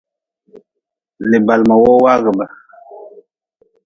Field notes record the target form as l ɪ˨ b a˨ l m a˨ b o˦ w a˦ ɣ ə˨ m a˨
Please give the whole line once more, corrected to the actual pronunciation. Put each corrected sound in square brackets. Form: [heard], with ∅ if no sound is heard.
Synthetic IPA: l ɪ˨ b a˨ l m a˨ [w] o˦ w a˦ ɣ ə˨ [b] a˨